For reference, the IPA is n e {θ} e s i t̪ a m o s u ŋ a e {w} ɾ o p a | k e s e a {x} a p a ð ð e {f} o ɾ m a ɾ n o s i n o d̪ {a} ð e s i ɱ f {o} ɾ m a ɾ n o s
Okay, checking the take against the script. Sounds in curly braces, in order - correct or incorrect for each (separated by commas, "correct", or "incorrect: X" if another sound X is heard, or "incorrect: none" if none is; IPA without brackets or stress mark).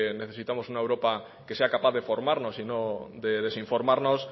correct, correct, incorrect: k, correct, incorrect: e, correct